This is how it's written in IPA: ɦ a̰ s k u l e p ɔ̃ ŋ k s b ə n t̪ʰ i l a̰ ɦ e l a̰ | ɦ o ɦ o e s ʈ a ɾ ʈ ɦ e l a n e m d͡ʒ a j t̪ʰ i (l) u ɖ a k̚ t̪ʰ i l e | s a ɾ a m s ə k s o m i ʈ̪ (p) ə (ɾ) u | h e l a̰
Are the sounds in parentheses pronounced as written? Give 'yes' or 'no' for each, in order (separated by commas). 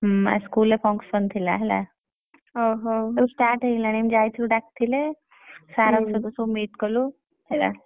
yes, no, no